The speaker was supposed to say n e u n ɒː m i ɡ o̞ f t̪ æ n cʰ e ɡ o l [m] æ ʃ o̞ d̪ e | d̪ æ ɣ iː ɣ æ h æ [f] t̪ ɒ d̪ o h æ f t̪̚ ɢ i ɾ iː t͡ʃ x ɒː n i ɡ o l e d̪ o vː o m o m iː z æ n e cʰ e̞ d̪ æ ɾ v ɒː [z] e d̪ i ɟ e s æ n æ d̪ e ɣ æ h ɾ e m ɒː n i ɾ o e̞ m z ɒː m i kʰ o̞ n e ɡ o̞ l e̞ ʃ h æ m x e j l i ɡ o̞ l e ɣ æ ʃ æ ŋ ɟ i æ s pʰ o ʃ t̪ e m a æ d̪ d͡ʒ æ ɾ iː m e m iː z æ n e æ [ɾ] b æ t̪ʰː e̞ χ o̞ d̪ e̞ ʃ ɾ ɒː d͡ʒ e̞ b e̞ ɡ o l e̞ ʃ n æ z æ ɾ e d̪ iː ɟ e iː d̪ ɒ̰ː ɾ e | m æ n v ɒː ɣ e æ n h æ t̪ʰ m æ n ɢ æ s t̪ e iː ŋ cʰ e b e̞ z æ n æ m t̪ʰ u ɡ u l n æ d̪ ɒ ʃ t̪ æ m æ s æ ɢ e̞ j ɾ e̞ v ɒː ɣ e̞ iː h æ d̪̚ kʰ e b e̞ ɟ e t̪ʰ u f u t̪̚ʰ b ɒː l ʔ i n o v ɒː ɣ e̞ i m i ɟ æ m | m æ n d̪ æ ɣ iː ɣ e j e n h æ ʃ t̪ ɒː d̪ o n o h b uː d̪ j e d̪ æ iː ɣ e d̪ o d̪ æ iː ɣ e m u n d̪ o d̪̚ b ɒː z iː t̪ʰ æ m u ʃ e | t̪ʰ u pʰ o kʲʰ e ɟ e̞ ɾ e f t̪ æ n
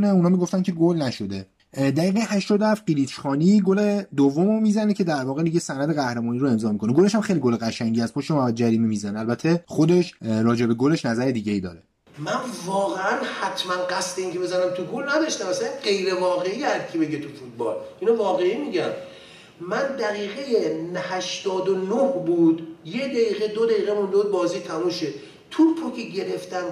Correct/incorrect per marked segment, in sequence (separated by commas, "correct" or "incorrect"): incorrect, incorrect, incorrect, incorrect